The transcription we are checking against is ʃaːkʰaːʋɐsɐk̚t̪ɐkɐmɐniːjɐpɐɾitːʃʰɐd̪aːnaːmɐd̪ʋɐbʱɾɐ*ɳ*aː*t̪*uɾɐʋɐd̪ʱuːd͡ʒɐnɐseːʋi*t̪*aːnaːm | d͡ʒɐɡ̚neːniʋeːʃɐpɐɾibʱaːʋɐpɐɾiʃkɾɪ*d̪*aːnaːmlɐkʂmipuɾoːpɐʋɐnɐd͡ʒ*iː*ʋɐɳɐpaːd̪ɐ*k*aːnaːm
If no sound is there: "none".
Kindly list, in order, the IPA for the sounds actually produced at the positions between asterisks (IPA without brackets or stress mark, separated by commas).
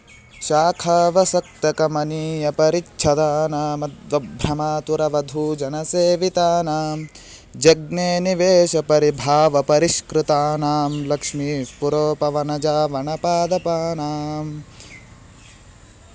m, t̪, t̪, t̪, aː, p